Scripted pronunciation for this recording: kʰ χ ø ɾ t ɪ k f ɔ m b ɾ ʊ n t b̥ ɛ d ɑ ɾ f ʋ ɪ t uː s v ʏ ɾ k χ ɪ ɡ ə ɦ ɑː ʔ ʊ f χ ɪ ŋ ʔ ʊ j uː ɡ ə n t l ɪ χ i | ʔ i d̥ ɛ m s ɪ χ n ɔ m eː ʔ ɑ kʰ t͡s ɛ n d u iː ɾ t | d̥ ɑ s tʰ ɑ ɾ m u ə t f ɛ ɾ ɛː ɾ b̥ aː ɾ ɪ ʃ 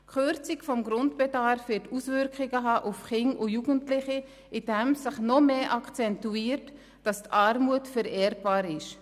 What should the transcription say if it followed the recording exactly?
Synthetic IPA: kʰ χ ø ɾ t͡s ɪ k f ɔ m ɡ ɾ ʊ n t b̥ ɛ d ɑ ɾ f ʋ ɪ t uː s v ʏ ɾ k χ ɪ ɡ ə ɦ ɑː ʔ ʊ f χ ɪ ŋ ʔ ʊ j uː ɡ ə n t l ɪ χ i | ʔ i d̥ ɛ m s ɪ χ n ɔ m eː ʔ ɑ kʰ t͡s ɛ n t u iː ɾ t | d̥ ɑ s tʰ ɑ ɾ m u ə t f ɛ ɾ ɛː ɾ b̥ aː ɾ ɪ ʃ